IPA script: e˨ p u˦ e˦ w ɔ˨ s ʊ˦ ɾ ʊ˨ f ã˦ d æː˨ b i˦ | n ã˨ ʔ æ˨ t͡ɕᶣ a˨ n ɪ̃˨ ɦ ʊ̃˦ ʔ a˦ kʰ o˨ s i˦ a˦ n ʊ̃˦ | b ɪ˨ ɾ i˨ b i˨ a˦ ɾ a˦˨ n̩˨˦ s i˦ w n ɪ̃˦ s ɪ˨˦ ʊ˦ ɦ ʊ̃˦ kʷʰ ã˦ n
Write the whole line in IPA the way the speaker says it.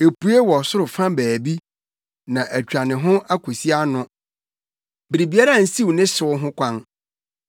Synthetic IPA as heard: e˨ p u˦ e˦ w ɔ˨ s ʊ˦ ɾ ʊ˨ f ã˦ b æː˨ b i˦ | n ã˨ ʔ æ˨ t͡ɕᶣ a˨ n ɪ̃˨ ɦ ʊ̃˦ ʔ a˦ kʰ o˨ s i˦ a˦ n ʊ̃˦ | b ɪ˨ ɾ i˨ b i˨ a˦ ɾ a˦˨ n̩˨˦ s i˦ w n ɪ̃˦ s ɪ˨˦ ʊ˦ ɦ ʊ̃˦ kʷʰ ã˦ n